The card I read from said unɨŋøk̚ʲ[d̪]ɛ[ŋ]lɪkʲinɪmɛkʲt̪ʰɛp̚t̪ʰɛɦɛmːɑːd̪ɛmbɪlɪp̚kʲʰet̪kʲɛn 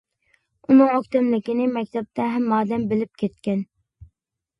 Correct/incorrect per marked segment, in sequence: incorrect: t̪, incorrect: m

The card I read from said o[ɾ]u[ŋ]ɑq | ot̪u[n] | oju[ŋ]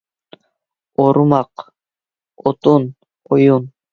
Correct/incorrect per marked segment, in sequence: correct, incorrect: m, correct, incorrect: n

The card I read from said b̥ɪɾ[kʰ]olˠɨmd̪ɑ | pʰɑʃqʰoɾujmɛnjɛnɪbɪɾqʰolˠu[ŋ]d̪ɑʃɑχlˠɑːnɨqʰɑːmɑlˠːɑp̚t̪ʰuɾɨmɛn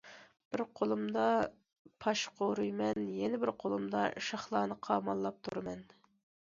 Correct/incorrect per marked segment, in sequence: incorrect: qʰ, incorrect: m

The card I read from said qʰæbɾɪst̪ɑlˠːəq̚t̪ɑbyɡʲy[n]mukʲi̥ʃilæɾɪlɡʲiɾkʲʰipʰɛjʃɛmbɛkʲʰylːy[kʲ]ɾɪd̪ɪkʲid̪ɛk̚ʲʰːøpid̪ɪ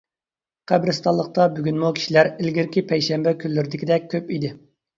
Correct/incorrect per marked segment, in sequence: correct, incorrect: none

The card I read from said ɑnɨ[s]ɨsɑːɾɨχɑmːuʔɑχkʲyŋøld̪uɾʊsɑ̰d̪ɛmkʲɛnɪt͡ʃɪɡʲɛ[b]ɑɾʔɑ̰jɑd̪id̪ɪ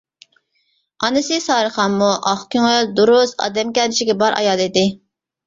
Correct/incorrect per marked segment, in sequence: correct, correct

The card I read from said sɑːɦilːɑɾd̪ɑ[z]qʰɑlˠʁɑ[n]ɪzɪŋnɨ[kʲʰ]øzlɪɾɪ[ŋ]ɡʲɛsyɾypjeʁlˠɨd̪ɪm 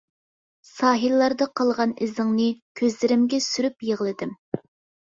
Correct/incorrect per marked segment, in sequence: incorrect: none, correct, correct, incorrect: m

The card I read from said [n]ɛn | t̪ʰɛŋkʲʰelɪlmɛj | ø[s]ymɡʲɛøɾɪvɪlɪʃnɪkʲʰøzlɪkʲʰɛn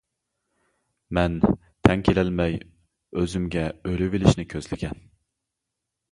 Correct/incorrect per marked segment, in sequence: incorrect: m, incorrect: z

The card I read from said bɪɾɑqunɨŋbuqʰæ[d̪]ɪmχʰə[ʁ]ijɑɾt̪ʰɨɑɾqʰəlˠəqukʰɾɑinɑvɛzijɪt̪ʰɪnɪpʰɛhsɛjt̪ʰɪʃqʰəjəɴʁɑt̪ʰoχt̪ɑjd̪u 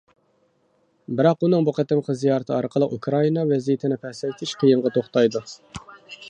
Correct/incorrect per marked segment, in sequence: incorrect: t̪, incorrect: z

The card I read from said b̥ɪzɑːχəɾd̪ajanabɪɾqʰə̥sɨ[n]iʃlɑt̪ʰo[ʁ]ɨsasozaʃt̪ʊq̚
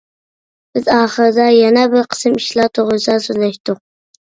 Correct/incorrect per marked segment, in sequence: incorrect: m, correct

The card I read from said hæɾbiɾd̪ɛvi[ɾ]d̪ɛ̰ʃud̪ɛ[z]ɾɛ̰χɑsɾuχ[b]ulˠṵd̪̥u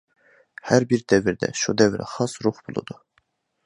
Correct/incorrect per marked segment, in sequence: correct, incorrect: v, correct

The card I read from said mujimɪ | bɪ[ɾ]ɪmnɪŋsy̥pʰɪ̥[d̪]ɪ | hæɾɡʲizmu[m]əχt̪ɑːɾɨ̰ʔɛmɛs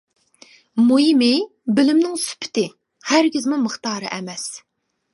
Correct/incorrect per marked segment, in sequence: incorrect: l, incorrect: t̪, correct

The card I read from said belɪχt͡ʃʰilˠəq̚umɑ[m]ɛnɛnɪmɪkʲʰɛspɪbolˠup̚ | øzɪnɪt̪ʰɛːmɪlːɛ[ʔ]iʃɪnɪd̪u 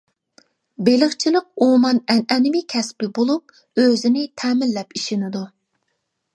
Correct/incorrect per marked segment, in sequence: incorrect: n, incorrect: p

